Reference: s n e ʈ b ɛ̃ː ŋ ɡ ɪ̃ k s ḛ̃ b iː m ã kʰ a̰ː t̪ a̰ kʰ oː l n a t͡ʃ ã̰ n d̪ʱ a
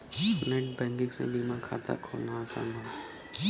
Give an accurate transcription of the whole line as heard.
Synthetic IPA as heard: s n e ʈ b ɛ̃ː ŋ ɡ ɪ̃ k s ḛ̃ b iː m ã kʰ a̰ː t̪ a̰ kʰ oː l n a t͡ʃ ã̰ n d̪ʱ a